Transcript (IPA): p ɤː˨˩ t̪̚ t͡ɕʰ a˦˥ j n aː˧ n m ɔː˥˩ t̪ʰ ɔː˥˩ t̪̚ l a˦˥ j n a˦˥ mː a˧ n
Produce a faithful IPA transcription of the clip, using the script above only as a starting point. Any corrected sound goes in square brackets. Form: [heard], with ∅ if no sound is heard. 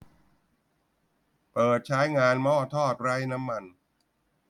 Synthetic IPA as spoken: p ɤː˨˩ t̪̚ t͡ɕʰ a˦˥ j [ŋ] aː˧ n m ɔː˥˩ t̪ʰ ɔː˥˩ t̪̚ [ɾ] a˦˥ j n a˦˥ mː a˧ n